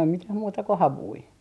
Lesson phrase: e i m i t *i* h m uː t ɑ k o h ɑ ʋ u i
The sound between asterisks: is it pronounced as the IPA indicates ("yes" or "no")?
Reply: no